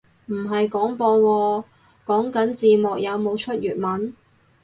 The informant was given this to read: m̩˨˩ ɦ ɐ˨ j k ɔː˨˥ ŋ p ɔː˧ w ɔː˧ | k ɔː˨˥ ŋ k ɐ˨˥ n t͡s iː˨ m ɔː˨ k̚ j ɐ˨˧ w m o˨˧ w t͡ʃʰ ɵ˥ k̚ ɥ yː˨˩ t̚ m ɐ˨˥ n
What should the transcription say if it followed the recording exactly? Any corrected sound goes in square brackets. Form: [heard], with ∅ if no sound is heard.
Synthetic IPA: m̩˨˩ ɦ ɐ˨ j k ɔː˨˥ ŋ p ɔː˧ w ɔː˧ | k ɔː˨˥ ŋ k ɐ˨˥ n t͡s iː˨ m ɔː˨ k̚ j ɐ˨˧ w m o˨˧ w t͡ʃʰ ɵ˥ [t̚] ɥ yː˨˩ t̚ m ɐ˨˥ n

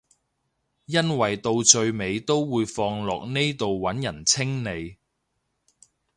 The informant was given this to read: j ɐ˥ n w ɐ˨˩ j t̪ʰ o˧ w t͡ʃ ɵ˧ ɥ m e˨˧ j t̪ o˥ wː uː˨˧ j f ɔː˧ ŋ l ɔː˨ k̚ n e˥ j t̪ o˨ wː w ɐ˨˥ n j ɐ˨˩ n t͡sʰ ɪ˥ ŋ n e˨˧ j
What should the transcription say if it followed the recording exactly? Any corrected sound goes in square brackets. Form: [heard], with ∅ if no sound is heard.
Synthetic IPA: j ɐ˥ n w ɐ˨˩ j [t̪] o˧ w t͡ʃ ɵ˧ ɥ m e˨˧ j t̪ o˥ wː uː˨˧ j f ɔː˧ ŋ l ɔː˨ k̚ n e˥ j t̪ o˨ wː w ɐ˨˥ n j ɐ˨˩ n t͡sʰ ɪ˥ ŋ n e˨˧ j

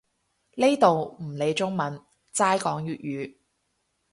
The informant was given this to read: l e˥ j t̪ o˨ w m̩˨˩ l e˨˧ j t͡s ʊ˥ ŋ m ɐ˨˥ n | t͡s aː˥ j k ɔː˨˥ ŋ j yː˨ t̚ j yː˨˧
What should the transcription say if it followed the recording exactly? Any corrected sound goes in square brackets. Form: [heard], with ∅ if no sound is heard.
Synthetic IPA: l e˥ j t̪ o˨ w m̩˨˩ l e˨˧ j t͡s ʊ˥ ŋ m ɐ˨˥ n | t͡s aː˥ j k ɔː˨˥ ŋ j yː˨ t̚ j yː˨˧

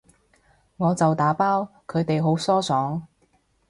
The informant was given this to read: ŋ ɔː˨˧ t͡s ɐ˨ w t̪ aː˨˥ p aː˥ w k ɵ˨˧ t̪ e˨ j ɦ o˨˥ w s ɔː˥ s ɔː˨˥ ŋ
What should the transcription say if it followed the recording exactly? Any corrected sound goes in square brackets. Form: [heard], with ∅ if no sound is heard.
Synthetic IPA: ŋ ɔː˨˧ t͡s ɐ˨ w t̪ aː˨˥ p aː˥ w [kʰ] ɵ˨˧ t̪ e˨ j ɦ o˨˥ w s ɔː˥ s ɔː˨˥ ŋ

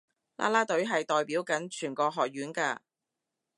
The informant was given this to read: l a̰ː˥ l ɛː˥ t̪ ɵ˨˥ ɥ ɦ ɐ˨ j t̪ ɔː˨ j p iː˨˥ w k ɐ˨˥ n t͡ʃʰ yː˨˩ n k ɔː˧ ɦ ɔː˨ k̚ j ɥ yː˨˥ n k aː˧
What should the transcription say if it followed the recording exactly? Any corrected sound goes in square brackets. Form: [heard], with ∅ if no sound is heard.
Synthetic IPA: l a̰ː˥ l [aː˥] t̪ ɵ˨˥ ɥ ɦ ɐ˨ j t̪ ɔː˨ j p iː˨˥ w k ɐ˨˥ n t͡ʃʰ yː˨˩ n k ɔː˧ ɦ ɔː˨ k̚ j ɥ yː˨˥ n k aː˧

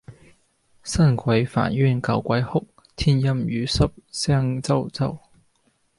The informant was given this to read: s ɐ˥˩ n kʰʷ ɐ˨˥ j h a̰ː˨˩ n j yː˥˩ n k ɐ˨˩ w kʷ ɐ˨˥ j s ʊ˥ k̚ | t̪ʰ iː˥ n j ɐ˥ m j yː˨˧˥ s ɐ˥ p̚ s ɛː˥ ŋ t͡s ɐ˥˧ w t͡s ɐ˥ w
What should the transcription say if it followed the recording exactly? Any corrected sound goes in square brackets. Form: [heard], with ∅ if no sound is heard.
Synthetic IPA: s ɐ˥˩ n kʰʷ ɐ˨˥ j [f] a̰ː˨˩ n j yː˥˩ n k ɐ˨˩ w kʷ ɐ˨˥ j [h] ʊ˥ k̚ | t̪ʰ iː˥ n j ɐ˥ m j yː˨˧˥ s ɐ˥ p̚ s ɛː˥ ŋ t͡s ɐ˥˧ w t͡s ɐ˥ w

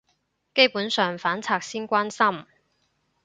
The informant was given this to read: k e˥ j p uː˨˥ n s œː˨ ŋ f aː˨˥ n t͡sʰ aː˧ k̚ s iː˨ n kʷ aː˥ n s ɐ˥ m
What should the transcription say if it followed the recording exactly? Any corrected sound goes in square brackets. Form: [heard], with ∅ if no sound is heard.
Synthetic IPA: k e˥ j p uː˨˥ n s œː˨ ŋ f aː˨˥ n t͡sʰ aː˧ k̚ s [iː˥] n kʷ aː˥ n s ɐ˥ m

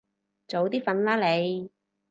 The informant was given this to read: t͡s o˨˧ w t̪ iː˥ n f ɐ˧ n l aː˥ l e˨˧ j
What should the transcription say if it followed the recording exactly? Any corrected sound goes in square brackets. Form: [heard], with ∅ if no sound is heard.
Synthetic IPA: t͡s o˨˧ w t̪ iː˥ [∅] f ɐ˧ n l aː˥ l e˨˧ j

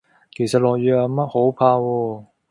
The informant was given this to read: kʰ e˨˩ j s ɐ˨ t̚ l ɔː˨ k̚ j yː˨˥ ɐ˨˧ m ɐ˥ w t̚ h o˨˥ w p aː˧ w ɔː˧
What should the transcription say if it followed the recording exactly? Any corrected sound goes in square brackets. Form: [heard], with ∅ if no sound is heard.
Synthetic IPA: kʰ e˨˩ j s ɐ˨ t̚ l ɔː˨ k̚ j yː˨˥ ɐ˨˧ m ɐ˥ [∅] t̚ h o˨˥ w [pʰ] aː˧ w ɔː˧

